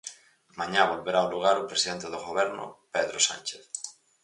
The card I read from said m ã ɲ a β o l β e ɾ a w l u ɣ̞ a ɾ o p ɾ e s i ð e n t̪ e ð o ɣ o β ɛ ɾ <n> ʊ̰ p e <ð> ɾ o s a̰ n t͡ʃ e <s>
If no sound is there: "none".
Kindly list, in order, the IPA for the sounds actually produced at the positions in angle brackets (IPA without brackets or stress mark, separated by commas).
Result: n, ð, θ